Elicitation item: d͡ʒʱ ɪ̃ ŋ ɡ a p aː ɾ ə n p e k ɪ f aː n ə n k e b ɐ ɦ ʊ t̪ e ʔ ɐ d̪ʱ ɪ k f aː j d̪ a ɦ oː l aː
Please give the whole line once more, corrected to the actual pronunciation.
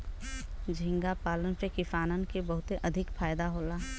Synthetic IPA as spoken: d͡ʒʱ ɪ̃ ŋ ɡ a p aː l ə n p e k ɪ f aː n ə n k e b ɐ ɦ ʊ t̪ e ʔ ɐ d̪ʱ ɪ k f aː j d̪ a ɦ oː l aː